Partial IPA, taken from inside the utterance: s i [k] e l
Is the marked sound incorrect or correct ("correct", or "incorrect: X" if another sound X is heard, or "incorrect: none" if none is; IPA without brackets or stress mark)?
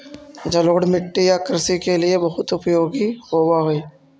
correct